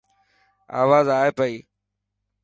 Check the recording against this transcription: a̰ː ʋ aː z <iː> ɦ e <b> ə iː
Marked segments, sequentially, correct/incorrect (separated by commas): incorrect, incorrect